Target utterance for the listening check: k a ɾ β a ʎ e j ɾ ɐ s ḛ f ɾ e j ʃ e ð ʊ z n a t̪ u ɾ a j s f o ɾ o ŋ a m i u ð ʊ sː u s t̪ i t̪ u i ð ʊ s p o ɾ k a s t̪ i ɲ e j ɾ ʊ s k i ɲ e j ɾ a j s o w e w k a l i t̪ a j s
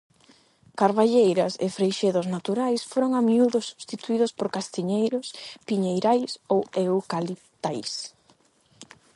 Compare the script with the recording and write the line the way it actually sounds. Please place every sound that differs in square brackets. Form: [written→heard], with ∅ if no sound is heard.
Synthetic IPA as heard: k a ɾ β a ʎ e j ɾ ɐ s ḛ f ɾ e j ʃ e ð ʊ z n a t̪ u ɾ a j s f o ɾ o ŋ a m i u ð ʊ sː u s t̪ i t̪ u i ð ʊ s p o ɾ k a s t̪ i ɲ e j ɾ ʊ s [k→p] i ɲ e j ɾ a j s o w e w k a l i t̪ a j s